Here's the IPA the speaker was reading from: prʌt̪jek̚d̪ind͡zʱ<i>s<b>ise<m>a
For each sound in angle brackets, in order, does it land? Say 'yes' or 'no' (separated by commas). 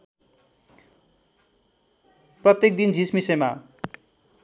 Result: yes, no, yes